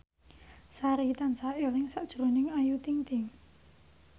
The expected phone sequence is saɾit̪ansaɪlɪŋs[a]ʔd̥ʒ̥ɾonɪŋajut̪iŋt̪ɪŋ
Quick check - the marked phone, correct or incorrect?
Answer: correct